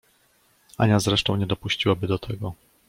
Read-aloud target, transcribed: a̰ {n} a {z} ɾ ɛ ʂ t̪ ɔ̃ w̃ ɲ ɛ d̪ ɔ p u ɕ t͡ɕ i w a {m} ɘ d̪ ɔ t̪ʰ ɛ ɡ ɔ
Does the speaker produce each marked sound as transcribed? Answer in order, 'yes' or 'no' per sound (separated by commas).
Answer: no, yes, no